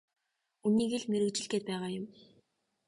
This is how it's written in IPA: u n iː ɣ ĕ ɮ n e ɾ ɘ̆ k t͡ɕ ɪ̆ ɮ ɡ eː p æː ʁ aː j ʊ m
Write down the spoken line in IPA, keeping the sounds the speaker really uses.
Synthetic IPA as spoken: u n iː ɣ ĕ ɮ m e ɾ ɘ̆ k t͡ɕ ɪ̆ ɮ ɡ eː p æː ʁ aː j ʊ m